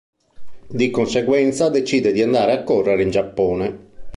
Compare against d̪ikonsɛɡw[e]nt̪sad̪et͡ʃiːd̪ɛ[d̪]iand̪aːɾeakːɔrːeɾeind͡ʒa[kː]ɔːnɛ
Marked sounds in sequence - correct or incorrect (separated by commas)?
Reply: incorrect, correct, incorrect